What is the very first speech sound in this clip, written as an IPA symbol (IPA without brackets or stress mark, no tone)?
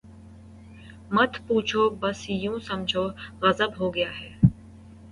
m